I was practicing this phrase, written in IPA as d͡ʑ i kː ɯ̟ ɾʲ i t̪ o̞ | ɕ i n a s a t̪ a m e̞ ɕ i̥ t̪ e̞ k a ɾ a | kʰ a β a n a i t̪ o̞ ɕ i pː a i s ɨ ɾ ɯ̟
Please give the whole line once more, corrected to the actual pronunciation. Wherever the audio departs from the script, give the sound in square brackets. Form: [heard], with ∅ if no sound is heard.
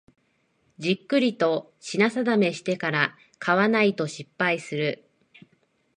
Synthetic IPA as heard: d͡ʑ i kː ɯ̟ ɾʲ i t̪ o̞ | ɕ i n a s a [d̪] a m e̞ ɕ i̥ t̪ e̞ k a ɾ a | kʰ a β a n a i t̪ o̞ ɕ i pː a i s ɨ ɾ ɯ̟